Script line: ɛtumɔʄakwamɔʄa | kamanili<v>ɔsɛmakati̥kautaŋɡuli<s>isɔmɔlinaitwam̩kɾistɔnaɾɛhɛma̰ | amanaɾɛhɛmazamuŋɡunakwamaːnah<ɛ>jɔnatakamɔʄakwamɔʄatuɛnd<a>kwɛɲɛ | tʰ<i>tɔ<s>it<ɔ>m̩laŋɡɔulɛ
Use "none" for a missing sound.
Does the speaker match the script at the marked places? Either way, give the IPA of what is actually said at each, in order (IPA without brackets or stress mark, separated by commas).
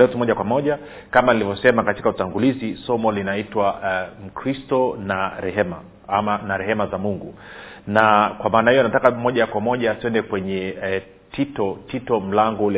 v, z, i, ɛ, i, t, ɔ